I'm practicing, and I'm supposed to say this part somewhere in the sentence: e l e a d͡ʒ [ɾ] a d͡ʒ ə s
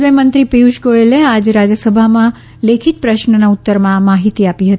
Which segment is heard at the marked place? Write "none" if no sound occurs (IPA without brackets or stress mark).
ɾ